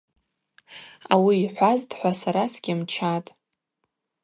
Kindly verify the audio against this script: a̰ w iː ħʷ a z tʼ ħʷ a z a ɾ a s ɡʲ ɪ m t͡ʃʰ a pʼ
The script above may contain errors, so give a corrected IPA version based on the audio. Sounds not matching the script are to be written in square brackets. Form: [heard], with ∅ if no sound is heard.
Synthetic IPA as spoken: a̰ w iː ħʷ a z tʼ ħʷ a [s] a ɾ a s ɡʲ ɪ m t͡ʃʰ a [tʼ]